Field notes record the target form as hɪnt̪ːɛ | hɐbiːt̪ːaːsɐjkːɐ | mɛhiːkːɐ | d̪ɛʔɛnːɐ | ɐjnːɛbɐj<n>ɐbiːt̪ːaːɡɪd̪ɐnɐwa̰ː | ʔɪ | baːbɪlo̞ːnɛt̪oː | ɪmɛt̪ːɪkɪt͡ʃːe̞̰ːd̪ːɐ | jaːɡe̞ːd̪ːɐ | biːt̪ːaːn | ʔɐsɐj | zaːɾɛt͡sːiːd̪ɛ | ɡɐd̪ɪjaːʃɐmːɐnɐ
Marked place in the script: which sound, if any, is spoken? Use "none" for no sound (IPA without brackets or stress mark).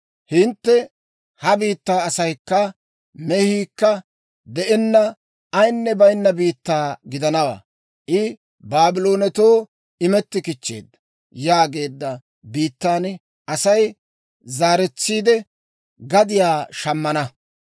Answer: nː